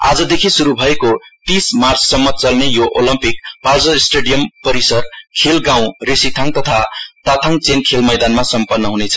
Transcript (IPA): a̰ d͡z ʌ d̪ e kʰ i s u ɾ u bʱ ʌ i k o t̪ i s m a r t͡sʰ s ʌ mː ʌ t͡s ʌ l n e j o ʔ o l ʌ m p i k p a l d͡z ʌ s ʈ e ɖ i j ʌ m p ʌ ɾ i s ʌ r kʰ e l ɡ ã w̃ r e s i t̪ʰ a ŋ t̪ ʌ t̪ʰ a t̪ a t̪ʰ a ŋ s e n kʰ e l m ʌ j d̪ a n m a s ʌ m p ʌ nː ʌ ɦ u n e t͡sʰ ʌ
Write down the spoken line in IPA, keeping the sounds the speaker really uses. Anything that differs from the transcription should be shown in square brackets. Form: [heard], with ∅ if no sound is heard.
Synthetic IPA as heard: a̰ d͡z ʌ d̪ e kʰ i s u ɾ u bʱ ʌ [e] k o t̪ i s m a r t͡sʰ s ʌ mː ʌ t͡s ʌ l n e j o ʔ o l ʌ m p i k p a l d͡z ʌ s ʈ e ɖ i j ʌ m p ʌ ɾ i s ʌ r kʰ e l ɡ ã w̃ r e s i t̪ʰ a ŋ t̪ ʌ t̪ʰ a t̪ a t̪ʰ a ŋ [t͡s] e n kʰ e l m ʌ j d̪ a n m a s ʌ m p ʌ nː ʌ ɦ u n e t͡sʰ ʌ